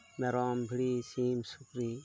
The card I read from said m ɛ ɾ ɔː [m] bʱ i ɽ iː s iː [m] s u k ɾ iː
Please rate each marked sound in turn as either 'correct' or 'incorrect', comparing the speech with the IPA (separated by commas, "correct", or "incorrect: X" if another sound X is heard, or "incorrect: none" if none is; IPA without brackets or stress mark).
correct, correct